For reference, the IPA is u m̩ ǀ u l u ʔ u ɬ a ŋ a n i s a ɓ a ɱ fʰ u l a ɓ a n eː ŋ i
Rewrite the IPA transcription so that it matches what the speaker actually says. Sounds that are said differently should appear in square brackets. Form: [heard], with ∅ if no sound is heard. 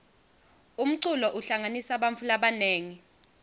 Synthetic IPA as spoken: u m̩ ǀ u l [ɔ] ʔ u ɬ a ŋ a n i s a ɓ a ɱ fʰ u l a ɓ a n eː ŋ i